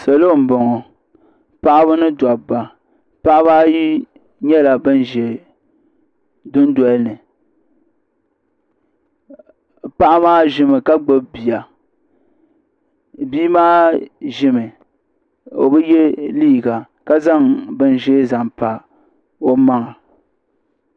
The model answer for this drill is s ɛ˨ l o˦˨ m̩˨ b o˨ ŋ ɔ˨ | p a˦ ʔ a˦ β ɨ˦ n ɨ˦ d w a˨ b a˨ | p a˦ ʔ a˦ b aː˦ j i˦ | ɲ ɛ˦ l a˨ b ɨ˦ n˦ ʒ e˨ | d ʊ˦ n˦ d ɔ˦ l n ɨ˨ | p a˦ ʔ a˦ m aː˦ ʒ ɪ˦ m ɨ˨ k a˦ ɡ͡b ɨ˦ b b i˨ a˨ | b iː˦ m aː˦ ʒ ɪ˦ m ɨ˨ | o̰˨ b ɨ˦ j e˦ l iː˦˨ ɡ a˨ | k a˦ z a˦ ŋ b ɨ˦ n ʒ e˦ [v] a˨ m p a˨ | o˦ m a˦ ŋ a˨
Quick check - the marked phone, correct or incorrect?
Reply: incorrect